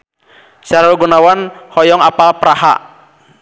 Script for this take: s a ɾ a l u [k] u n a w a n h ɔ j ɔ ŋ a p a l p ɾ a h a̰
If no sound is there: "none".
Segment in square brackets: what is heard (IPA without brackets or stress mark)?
ɡ